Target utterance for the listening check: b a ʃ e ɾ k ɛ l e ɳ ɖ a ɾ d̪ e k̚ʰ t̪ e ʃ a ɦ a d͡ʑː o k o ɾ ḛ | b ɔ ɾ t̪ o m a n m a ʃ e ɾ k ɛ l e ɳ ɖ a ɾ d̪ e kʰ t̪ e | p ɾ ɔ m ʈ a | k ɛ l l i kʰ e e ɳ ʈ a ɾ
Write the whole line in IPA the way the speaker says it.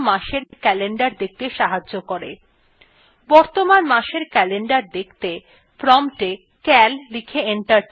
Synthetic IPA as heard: m a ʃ e ɾ k ɛ l e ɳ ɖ a ɾ d̪ e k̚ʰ t̪ e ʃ a ɦ a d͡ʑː o k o ɾ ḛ | b ɔ ɾ t̪ o m a n m a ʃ e ɾ k ɛ l e ɳ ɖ a ɾ d̪ e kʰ t̪ e | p ɾ ɔ m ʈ e | k ɛ l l i kʰ e e ɳ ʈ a ɾ